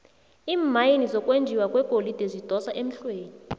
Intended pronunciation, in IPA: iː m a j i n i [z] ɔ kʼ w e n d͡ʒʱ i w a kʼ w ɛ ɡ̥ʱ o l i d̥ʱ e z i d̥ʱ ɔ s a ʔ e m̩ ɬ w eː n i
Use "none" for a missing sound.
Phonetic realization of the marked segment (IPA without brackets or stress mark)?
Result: z